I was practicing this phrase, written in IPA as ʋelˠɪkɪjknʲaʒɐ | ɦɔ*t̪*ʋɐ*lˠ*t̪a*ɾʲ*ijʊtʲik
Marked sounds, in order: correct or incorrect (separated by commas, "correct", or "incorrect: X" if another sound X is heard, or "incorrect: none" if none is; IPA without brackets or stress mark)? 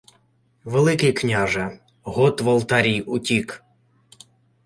correct, correct, correct